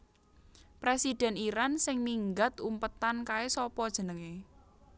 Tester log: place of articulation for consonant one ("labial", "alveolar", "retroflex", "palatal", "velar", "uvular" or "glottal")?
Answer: labial